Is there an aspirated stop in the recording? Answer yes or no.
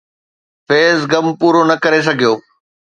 no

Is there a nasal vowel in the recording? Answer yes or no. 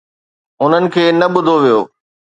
no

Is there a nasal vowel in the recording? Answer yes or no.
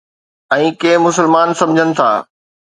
yes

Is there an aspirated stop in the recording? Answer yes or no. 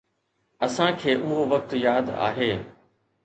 yes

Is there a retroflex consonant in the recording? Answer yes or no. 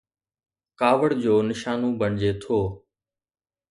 yes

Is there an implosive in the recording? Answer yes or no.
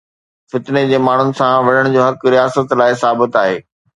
no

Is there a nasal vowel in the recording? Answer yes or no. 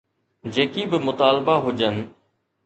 no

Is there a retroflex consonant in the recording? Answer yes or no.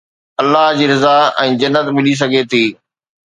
no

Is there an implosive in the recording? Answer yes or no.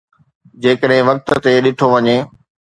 yes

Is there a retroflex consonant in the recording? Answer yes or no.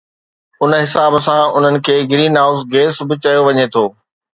no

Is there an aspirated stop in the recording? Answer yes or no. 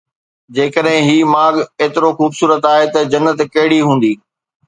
no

